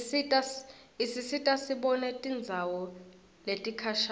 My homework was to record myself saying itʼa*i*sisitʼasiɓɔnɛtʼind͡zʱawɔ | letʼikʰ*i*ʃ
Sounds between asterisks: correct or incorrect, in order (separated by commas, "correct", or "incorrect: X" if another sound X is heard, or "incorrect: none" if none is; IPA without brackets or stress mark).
correct, incorrect: a